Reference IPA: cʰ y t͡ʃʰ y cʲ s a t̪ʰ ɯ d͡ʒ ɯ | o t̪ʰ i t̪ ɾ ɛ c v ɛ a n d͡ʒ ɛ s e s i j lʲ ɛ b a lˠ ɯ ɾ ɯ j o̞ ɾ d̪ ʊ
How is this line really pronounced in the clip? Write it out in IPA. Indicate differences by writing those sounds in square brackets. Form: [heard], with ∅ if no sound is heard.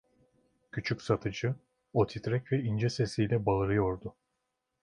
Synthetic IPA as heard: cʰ y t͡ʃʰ y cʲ s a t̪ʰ ɯ d͡ʒ ɯ | o t̪ʰ i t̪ ɾ ɛ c v ɛ [i] n d͡ʒ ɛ s e s i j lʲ ɛ b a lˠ ɯ ɾ ɯ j o̞ ɾ d̪ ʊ